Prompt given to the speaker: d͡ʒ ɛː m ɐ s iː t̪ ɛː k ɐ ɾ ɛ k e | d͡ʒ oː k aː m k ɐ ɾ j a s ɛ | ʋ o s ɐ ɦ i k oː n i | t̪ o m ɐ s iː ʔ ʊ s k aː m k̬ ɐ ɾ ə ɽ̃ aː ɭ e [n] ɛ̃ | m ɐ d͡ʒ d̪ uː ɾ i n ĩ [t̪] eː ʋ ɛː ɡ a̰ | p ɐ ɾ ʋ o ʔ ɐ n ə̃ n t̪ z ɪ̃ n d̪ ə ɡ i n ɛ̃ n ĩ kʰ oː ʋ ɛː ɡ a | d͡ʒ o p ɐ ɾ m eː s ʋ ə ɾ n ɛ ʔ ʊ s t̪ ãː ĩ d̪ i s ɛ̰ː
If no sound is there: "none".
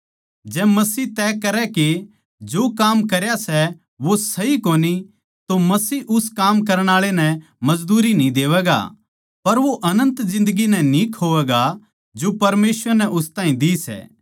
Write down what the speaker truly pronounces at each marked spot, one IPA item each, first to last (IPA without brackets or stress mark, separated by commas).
n, d̪